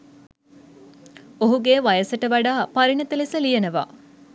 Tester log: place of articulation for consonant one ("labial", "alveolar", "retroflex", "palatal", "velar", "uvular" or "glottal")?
glottal